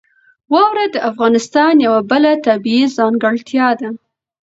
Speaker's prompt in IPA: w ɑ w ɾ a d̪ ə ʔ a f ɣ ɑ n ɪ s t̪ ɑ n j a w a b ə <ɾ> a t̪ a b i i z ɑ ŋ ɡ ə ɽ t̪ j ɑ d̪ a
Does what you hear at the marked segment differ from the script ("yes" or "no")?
yes